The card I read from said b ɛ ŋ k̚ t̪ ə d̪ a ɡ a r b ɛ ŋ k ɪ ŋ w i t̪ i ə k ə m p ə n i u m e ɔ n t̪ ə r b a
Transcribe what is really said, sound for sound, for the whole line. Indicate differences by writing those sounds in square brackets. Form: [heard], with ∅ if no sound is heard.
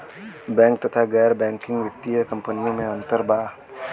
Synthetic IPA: b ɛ ŋ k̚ t̪ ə [t̪] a ɡ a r b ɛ ŋ k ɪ ŋ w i t̪ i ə k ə m p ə n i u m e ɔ n t̪ ə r b a